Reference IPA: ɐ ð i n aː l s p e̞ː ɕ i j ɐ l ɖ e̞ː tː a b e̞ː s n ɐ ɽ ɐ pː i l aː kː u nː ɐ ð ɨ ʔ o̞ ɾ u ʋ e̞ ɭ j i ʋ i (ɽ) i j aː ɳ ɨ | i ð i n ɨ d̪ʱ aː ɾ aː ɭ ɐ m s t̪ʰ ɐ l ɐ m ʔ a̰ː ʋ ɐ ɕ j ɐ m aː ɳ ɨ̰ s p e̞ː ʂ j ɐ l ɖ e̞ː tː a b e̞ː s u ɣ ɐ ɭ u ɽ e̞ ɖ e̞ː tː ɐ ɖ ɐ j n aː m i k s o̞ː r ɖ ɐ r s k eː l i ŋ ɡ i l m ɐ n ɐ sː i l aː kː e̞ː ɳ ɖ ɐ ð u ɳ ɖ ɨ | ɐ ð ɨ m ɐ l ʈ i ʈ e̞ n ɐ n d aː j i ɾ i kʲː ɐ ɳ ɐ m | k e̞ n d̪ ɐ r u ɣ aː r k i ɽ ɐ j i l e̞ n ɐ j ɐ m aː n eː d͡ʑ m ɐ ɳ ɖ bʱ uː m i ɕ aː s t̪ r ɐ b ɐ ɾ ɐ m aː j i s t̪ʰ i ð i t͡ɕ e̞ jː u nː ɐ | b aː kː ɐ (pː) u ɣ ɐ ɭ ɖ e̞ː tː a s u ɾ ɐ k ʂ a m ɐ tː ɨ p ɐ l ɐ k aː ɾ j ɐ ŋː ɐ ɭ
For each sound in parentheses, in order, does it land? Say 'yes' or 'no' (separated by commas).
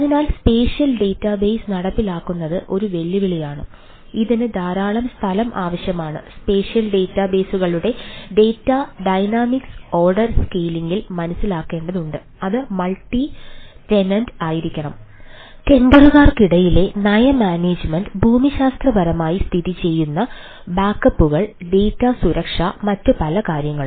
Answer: no, yes